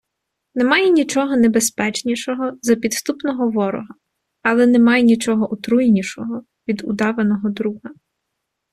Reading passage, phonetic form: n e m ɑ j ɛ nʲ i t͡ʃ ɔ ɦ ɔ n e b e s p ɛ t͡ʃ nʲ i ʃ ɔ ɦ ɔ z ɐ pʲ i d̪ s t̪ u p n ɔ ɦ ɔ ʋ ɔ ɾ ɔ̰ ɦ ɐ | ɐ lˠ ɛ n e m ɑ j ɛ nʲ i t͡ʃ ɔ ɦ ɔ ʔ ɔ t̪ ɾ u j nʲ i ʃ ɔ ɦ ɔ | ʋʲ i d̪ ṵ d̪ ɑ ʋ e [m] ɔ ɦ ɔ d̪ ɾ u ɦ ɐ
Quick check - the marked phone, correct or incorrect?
incorrect